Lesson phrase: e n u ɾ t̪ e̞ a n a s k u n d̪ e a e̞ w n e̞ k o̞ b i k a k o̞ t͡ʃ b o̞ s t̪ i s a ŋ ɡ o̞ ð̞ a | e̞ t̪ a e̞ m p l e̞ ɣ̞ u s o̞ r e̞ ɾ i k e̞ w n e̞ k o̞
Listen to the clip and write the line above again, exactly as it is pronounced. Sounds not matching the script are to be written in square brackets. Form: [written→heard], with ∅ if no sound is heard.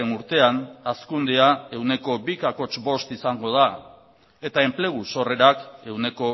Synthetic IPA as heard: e n u ɾ t̪ e̞ a n a s k u n d̪ e a e̞ w n e̞ k o̞ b i k a k o̞ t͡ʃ b o̞ s t̪ i s a ŋ ɡ o̞ ð̞ a | e̞ t̪ a e̞ m p l e̞ ɣ̞ u s o̞ r e̞ ɾ [i→a] k e̞ w n e̞ k o̞